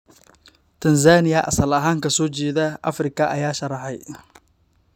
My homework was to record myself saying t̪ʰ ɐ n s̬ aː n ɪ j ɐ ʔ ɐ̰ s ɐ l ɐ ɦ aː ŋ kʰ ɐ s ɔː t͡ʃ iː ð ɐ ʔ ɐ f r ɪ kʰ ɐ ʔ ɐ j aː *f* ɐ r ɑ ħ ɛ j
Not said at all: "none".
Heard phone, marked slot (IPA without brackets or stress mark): ʃ